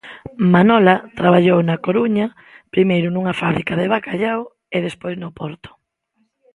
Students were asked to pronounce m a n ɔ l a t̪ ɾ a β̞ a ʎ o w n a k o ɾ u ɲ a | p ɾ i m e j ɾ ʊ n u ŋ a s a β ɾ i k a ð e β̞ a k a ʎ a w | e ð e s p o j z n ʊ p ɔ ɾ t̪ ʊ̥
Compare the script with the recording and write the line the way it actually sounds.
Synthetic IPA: m a n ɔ l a t̪ ɾ a β̞ a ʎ o w n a k o ɾ u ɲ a | p ɾ i m e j ɾ ʊ n u ŋ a f a β ɾ i k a ð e β̞ a k a ʎ a w | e ð e s p o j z n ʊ p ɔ ɾ t̪ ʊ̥